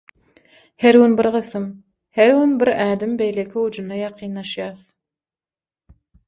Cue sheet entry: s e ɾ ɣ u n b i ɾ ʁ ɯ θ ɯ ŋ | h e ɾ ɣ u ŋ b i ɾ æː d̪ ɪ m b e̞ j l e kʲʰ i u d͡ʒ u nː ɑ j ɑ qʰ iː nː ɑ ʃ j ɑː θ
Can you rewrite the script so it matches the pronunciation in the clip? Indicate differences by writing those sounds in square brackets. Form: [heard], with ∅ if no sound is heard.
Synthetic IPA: [h] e ɾ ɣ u n b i ɾ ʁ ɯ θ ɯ [m] | h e ɾ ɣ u [n] b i ɾ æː d̪ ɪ m b e̞ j l e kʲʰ i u d͡ʒ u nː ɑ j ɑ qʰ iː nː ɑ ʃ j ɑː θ